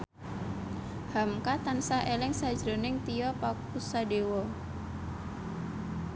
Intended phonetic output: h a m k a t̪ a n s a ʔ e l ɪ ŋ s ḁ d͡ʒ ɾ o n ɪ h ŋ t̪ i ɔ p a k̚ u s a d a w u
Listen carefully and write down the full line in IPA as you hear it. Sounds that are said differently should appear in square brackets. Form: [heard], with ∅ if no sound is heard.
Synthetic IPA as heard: h a m k a t̪ a n s a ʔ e l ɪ ŋ s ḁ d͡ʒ ɾ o n ɪ [∅] ŋ t̪ i ɔ p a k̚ u s a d [e] w [ɔ]